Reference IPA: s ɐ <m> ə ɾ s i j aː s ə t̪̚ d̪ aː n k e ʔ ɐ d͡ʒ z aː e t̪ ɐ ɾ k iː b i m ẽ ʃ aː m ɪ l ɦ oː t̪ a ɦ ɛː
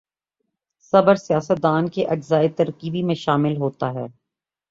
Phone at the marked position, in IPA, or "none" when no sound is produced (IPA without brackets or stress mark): b